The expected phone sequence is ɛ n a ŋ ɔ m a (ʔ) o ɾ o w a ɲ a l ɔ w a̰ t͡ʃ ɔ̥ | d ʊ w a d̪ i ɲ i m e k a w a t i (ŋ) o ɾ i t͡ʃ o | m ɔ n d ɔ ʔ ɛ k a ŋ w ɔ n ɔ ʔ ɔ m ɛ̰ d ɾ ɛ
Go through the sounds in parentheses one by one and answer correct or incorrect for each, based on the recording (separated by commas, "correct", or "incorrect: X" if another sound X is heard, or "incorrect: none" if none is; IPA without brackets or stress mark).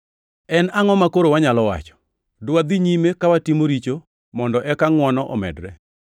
incorrect: k, incorrect: m